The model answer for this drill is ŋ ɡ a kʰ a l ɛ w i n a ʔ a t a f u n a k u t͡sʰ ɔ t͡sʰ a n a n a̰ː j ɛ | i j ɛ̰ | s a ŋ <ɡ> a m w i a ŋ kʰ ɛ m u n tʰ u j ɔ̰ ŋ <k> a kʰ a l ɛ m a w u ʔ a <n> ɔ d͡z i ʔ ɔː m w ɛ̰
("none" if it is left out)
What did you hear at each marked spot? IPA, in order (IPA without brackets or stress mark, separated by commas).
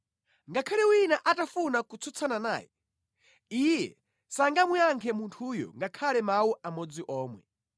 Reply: ɡ, ɡ, m